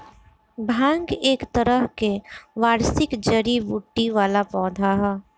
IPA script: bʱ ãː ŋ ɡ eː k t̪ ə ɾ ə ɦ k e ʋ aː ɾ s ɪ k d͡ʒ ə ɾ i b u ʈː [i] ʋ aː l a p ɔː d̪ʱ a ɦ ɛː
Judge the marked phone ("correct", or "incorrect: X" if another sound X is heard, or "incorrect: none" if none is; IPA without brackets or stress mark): correct